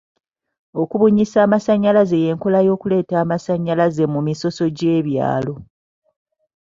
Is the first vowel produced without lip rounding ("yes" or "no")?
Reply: no